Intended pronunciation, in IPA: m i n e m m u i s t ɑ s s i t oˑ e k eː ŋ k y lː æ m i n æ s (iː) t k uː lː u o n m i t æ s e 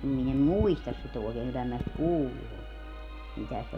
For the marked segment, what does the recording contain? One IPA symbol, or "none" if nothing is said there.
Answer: i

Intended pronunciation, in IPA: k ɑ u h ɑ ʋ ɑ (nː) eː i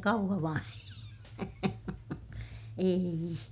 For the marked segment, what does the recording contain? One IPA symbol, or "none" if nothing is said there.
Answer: n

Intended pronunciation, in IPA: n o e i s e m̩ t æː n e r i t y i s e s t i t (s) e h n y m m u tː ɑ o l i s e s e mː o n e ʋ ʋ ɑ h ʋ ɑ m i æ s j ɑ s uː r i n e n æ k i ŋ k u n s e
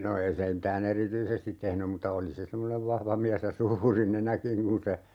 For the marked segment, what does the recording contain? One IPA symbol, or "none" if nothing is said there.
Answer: t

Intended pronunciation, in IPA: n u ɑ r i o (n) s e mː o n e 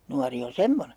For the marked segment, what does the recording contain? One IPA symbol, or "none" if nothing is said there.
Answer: n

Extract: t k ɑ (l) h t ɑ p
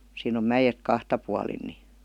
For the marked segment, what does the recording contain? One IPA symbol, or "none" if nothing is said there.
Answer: none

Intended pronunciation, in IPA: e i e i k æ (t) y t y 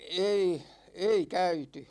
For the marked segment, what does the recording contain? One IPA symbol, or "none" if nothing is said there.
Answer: none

